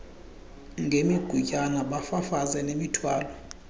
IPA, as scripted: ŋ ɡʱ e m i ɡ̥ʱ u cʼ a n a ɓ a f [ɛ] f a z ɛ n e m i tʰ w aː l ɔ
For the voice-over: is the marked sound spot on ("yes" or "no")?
no